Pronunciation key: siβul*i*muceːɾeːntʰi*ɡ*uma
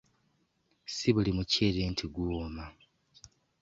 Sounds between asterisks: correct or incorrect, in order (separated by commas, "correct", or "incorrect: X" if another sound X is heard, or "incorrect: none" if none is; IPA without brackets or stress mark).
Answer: correct, correct